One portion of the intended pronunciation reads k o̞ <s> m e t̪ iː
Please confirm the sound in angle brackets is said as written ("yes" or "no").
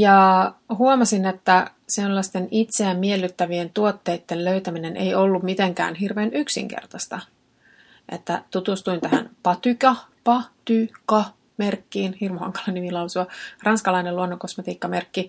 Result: yes